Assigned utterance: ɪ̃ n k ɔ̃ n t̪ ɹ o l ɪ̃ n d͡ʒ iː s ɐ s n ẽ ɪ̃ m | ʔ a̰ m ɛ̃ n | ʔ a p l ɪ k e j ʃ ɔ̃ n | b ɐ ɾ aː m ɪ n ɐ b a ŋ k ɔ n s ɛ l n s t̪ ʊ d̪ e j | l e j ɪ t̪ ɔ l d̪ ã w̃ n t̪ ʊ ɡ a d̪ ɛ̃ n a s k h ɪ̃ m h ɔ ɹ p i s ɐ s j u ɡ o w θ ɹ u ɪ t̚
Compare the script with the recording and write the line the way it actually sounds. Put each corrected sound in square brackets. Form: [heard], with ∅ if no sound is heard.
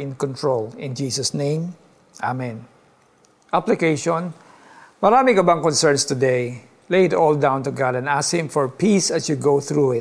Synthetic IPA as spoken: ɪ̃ n k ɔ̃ n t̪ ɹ o l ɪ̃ n d͡ʒ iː s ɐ s n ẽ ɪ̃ m | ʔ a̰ m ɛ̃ n | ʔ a p l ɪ k e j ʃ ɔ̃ n | [m] ɐ ɾ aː m ɪ [ŋ] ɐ b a ŋ k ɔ n s ɛ [ɹ] n s t̪ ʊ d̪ e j | l e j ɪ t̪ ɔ l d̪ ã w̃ n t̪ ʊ ɡ a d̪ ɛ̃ n a s k h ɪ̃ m [f] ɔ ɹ p i s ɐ s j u ɡ o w θ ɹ u ɪ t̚